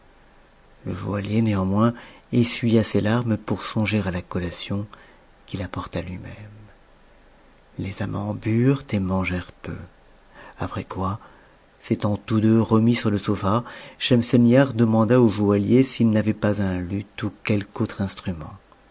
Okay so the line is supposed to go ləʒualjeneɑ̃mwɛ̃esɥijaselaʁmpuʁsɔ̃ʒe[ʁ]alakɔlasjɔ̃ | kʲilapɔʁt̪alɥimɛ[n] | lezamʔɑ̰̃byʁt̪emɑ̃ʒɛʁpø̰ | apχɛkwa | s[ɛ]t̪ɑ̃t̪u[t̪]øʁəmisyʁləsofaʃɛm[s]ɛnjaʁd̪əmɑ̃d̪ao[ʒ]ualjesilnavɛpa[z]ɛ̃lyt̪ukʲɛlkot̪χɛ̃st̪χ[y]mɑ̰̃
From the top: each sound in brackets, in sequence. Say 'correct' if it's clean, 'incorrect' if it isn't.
correct, incorrect: m, incorrect: e, incorrect: d̪, correct, correct, correct, correct

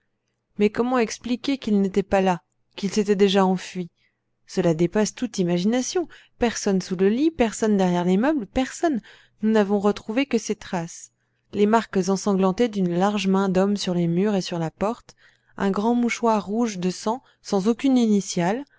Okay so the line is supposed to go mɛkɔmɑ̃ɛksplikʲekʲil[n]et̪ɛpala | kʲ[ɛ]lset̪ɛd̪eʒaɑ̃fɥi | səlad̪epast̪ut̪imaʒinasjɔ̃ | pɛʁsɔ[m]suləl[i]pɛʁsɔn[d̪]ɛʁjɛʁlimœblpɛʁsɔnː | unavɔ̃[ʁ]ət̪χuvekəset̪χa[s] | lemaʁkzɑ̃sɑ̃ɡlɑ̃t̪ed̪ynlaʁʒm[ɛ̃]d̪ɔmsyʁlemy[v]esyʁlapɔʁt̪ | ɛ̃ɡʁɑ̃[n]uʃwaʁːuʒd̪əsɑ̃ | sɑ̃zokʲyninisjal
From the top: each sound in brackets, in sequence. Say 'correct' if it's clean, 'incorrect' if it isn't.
correct, incorrect: i, incorrect: n, correct, correct, correct, correct, correct, incorrect: ʁ, incorrect: m

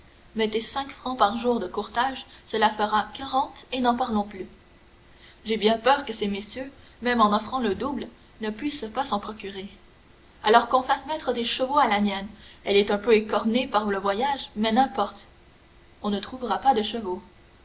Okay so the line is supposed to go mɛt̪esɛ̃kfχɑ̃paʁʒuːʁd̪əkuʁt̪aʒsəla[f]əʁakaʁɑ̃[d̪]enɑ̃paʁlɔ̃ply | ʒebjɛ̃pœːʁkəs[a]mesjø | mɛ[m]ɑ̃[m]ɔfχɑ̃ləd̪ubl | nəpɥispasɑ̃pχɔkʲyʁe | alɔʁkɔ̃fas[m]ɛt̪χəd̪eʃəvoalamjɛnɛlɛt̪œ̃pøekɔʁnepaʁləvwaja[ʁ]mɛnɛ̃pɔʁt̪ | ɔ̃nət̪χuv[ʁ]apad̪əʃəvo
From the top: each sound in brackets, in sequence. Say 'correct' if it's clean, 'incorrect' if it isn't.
correct, incorrect: t̪, incorrect: e, correct, incorrect: n, correct, incorrect: ʒ, correct

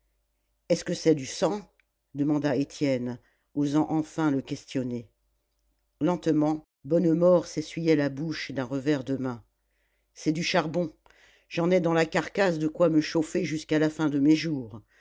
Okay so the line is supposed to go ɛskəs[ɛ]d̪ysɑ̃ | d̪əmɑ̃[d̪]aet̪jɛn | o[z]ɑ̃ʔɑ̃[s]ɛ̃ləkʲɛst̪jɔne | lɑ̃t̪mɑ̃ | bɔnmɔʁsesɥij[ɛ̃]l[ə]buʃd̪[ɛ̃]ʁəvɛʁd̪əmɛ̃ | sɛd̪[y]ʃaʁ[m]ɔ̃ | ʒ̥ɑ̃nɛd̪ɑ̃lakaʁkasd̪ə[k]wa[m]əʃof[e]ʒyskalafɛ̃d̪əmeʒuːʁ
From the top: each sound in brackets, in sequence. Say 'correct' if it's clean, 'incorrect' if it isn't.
correct, correct, correct, incorrect: f, incorrect: ɛ, incorrect: a, correct, correct, incorrect: b, correct, correct, correct

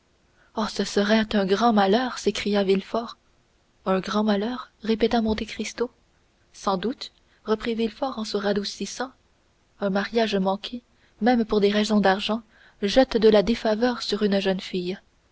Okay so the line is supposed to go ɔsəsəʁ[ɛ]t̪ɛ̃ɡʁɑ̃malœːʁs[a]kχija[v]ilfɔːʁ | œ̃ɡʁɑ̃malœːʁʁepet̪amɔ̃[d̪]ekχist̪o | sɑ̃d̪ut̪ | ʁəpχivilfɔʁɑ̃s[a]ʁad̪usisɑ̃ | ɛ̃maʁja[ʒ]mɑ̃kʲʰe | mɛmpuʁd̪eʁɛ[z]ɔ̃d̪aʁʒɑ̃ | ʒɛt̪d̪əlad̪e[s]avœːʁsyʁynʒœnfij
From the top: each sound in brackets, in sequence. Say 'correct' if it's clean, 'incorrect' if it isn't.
correct, incorrect: e, correct, incorrect: t̪, incorrect: ə, correct, correct, incorrect: f

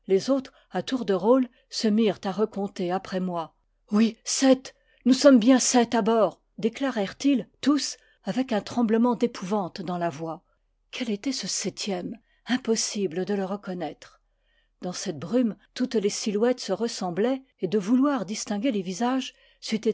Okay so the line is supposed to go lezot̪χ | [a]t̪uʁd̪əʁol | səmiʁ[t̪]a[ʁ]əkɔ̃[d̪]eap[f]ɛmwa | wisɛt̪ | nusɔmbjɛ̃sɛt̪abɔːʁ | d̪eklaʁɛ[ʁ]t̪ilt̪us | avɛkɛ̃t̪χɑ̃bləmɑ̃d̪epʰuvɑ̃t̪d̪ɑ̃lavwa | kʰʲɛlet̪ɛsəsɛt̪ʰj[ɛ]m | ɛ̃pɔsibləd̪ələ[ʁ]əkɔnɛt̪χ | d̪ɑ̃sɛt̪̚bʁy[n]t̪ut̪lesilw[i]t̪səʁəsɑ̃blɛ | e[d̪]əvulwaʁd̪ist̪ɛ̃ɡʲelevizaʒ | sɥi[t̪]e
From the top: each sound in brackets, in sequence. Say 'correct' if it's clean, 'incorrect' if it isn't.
correct, correct, correct, incorrect: t̪, incorrect: χ, correct, correct, correct, incorrect: m, incorrect: ɛ, correct, correct

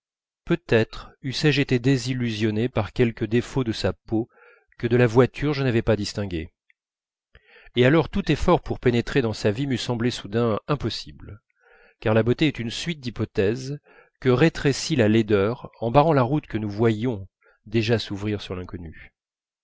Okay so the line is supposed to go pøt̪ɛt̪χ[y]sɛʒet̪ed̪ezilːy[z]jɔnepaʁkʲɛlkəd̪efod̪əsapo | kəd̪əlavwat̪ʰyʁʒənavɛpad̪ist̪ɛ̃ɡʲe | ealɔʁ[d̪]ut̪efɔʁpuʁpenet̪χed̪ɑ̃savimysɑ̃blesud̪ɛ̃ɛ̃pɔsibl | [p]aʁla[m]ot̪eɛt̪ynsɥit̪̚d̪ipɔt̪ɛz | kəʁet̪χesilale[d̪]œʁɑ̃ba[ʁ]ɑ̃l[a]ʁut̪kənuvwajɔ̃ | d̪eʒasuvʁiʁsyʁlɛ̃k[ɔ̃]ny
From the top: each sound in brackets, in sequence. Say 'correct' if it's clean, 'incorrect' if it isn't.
correct, correct, incorrect: t̪, incorrect: k, incorrect: b, correct, correct, correct, incorrect: ɔ

